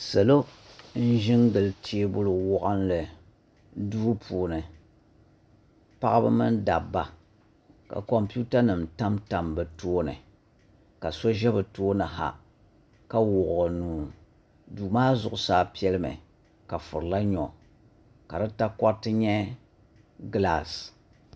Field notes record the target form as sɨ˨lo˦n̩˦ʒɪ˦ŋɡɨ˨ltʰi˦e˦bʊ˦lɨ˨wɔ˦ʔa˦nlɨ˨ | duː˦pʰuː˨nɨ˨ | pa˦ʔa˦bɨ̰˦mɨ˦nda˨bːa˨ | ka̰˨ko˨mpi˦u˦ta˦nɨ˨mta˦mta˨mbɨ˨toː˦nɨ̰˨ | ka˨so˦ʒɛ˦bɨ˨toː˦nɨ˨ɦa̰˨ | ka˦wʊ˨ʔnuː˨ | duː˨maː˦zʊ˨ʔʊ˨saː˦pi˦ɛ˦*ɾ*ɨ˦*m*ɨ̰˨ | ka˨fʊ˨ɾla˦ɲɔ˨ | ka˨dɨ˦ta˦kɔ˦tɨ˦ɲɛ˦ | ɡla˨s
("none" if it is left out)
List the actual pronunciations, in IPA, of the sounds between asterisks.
l, m

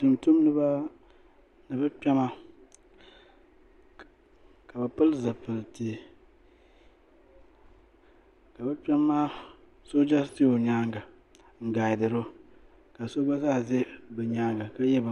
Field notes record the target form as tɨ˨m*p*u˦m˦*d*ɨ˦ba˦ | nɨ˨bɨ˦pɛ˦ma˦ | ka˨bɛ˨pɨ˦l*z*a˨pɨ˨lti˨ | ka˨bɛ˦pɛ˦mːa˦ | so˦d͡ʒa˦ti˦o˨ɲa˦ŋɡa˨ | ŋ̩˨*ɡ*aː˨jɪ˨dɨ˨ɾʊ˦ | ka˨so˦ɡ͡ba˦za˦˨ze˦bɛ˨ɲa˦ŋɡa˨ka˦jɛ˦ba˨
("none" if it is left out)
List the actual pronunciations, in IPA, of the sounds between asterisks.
t, n, z, ɡ

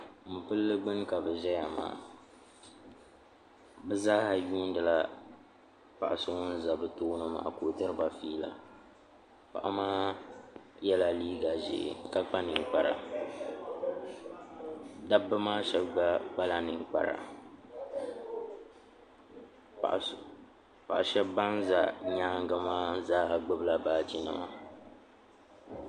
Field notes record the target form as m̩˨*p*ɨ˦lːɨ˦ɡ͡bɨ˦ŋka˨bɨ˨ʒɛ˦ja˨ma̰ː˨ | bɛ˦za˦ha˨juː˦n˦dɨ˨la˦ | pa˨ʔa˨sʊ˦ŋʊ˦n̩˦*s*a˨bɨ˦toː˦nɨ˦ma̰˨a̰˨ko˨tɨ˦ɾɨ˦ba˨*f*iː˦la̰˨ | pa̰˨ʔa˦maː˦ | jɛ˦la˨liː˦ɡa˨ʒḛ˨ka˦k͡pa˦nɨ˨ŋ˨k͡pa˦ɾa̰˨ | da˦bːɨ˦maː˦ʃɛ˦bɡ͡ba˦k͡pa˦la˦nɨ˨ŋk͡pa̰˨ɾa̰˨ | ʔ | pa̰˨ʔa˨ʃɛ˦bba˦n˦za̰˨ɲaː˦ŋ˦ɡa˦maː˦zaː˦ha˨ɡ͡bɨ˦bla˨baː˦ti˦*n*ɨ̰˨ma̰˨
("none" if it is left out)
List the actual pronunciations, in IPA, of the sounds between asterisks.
p, z, f, n

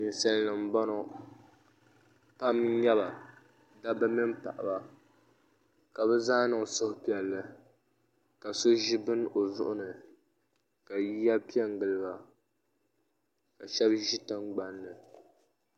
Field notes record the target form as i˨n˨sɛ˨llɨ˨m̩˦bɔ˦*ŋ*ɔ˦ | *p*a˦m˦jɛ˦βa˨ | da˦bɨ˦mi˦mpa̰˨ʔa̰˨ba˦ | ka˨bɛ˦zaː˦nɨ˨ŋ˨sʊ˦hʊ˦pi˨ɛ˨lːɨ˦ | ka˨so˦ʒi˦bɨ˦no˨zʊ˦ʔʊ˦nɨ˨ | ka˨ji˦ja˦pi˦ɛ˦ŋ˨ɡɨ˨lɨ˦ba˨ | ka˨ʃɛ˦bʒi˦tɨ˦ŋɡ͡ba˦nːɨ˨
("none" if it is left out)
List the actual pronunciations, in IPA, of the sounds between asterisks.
n, p

